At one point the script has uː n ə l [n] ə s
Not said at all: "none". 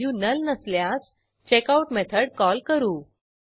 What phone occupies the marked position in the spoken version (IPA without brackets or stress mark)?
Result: n